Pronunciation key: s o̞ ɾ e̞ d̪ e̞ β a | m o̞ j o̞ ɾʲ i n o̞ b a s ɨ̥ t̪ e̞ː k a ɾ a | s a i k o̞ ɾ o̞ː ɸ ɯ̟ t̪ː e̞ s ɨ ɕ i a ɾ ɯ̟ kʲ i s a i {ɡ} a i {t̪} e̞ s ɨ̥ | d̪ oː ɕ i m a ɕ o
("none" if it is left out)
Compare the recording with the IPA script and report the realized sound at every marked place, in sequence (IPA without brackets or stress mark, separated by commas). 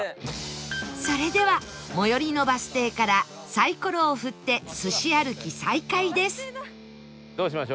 k, d̪